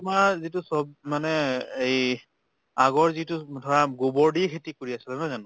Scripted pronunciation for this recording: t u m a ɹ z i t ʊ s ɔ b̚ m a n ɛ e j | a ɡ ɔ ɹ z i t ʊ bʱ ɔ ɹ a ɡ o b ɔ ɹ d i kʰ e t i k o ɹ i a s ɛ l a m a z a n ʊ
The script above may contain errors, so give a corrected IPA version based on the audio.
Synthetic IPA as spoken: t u m a ɹ z i t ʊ s ɔ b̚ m a n ɛ e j | a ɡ ɔ ɹ z i t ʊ dʱ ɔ ɹ a ɡ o b ɔ ɹ d i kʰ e t i k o ɹ i a s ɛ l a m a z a n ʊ